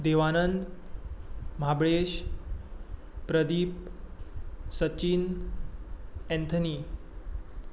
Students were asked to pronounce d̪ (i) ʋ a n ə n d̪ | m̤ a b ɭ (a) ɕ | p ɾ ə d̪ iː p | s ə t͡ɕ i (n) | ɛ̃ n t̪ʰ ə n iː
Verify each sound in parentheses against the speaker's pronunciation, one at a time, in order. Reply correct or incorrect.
incorrect, incorrect, correct

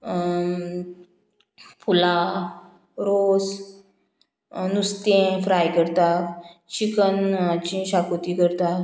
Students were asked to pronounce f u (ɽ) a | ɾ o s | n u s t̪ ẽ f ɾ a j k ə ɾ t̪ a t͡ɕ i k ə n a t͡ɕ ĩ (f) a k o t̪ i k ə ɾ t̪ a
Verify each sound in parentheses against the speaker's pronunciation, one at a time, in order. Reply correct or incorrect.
incorrect, incorrect

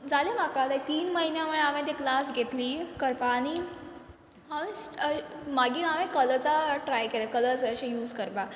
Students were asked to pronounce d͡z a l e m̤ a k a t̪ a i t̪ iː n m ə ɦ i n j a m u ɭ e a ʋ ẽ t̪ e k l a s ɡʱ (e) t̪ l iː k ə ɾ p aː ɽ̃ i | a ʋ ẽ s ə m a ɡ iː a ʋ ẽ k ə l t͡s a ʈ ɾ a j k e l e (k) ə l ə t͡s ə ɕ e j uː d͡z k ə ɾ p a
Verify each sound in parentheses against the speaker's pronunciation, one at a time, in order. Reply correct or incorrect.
correct, correct

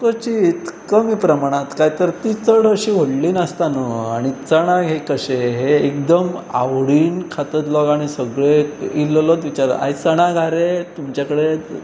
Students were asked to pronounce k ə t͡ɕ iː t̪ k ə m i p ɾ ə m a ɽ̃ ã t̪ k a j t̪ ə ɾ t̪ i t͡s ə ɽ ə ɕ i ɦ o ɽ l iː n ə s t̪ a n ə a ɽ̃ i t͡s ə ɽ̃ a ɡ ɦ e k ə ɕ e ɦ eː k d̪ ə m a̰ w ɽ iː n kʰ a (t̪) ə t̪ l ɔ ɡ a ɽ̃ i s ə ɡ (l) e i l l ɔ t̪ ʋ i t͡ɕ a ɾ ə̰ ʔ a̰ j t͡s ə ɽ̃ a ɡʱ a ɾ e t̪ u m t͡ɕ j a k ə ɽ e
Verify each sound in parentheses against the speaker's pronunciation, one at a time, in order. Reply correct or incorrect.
correct, incorrect

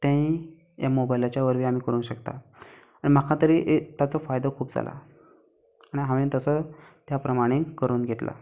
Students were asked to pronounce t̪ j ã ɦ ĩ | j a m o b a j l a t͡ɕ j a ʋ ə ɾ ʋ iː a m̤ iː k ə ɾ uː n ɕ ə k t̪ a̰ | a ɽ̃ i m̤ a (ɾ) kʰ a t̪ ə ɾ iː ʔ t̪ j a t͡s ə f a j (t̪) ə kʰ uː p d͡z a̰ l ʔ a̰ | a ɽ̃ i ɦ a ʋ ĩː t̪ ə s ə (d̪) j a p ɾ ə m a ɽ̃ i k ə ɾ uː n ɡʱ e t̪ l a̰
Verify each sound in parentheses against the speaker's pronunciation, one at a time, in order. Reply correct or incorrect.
incorrect, incorrect, incorrect

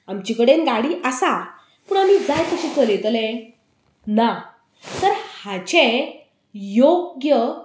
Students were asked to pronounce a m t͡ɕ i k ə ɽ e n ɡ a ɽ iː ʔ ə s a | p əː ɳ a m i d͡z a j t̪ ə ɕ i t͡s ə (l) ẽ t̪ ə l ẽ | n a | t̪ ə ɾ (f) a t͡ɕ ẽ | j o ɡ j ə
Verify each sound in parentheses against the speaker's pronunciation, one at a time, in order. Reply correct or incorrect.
correct, incorrect

